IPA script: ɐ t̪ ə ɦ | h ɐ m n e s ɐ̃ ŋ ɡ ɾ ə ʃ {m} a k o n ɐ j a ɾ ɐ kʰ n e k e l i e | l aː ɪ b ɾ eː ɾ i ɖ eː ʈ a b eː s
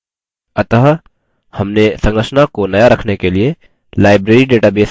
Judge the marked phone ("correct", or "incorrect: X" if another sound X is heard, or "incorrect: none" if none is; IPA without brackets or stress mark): incorrect: n